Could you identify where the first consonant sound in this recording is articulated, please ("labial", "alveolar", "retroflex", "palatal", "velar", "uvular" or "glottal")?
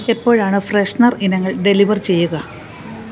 labial